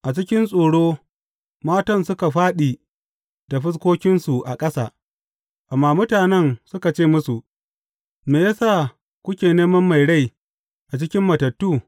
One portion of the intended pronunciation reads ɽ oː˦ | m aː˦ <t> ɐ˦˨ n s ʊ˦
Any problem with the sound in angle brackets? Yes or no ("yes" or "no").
no